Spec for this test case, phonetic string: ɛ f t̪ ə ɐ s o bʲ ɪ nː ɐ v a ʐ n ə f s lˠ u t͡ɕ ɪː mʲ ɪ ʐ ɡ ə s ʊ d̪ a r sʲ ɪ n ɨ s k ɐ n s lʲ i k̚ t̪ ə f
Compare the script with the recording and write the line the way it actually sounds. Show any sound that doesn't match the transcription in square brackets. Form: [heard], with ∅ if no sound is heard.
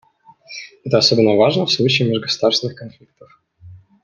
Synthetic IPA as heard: ɛ [∅] t̪ ə ɐ s o bʲ ɪ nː [ə] v a ʐ n ə f s lˠ u t͡ɕ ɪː mʲ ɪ ʐ ɡ ə s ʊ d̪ a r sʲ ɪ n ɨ [x] k ɐ n [f] lʲ i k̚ t̪ ə f